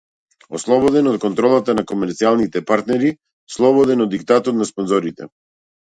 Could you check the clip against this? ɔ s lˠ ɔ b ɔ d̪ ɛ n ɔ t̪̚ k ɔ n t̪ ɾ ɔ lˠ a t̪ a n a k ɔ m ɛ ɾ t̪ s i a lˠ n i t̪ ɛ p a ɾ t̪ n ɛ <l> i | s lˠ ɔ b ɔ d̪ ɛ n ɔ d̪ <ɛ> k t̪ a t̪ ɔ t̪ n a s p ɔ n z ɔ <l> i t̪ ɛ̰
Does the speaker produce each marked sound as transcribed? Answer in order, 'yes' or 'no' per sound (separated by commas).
no, no, no